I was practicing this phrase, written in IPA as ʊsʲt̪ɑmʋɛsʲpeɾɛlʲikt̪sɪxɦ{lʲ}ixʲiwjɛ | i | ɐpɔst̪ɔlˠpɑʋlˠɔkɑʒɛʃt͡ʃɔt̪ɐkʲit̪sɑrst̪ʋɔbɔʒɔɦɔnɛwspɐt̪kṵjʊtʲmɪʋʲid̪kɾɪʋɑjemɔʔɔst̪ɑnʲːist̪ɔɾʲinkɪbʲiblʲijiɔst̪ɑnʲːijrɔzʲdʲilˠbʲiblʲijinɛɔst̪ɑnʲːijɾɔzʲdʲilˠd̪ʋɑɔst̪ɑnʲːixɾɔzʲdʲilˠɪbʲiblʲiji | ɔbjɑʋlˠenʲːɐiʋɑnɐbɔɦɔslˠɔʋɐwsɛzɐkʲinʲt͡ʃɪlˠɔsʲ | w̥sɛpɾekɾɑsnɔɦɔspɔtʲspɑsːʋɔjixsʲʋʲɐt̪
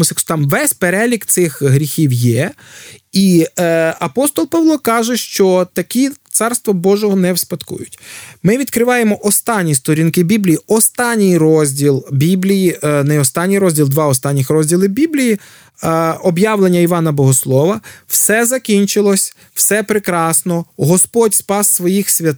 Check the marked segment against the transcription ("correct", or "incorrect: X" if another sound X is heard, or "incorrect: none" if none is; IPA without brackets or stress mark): incorrect: ɾʲ